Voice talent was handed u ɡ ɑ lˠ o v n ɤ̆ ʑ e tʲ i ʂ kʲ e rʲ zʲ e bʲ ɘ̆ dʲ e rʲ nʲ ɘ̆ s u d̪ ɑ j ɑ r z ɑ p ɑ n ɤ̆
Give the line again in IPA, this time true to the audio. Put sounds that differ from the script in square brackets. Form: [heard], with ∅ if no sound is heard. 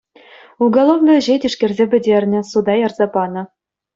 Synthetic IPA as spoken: u ɡ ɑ lˠ o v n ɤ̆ ʑ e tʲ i ʂ kʲ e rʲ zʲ e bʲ ɘ̆ dʲ e rʲ nʲ ɘ̆ s u d̪ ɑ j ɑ r z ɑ p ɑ n ɤ̆